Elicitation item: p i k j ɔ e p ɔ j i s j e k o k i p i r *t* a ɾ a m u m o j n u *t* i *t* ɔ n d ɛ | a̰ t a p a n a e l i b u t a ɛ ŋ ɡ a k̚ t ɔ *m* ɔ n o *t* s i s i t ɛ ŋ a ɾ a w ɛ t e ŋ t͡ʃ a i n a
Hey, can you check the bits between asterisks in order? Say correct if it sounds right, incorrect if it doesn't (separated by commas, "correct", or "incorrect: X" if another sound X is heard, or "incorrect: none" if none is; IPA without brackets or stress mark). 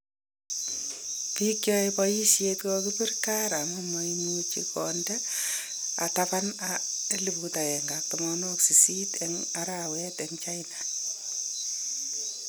incorrect: k, incorrect: t͡ʃ, incorrect: k, correct, incorrect: k